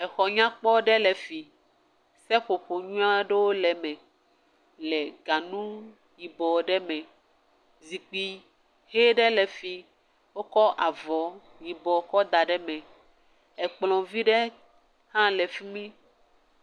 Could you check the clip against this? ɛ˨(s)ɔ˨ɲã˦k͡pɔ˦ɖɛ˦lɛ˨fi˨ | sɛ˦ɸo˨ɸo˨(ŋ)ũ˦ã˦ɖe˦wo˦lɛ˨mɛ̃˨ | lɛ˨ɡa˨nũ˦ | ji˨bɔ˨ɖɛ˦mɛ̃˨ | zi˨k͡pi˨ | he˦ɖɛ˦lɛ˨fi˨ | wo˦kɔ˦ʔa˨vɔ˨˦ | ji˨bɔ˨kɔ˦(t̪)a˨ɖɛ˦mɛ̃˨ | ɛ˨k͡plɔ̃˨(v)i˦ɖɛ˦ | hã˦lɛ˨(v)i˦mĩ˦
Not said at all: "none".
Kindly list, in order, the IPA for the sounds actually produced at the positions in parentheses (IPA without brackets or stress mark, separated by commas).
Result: x, ɲ, d̪, v, f